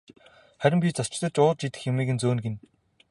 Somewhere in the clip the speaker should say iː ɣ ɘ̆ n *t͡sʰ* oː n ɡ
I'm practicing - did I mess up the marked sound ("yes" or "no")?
yes